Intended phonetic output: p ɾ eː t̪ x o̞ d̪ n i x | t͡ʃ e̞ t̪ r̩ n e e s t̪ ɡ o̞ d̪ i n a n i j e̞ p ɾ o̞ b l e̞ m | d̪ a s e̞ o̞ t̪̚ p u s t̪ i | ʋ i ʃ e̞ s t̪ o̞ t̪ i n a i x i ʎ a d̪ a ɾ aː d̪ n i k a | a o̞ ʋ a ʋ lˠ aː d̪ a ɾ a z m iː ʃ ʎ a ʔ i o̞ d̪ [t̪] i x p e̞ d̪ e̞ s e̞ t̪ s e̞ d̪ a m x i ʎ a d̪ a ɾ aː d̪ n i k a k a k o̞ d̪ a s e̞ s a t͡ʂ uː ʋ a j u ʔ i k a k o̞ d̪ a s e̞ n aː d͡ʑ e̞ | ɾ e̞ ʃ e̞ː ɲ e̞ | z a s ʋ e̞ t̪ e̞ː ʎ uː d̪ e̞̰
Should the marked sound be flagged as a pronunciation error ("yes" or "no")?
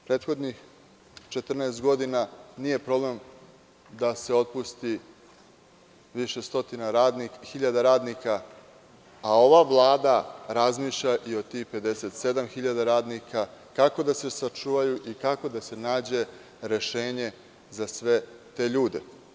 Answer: no